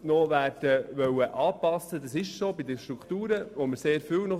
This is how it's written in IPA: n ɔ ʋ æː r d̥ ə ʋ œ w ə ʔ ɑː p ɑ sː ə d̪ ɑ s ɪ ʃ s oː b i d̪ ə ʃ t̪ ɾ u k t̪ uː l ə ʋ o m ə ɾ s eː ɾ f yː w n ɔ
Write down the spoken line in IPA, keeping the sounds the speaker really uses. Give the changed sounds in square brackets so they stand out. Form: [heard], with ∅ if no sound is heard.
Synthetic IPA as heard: n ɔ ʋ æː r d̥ ə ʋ œ w ə ʔ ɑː p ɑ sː ə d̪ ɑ s ɪ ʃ s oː b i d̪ ə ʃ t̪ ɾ u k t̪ uː [ɾ] ə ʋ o m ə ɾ s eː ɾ f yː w n ɔ